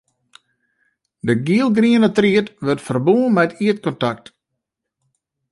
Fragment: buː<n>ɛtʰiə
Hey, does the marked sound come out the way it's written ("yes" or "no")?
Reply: no